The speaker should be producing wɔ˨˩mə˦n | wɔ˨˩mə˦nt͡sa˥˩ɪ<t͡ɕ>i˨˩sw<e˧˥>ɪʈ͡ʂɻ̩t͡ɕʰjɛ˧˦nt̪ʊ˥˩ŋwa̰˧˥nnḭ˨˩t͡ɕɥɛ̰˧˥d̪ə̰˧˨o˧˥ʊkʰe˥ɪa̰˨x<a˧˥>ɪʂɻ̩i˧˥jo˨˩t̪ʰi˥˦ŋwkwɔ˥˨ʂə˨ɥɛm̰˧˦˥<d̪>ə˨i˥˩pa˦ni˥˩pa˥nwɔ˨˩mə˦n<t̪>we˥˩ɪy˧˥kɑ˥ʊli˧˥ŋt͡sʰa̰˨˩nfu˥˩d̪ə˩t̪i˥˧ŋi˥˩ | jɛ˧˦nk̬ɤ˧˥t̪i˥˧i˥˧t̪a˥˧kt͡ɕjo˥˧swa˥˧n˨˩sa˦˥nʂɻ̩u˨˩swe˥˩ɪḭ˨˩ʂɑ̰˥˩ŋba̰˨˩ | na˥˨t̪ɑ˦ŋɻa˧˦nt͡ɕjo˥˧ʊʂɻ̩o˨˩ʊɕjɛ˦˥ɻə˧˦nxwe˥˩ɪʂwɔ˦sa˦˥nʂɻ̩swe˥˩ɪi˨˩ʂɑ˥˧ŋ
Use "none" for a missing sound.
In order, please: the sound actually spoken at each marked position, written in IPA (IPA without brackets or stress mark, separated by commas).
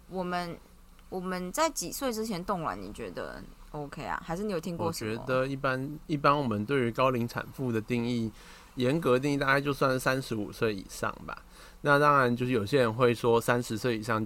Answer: t͡ɕ, e˥˩, a˧, d̪, t̪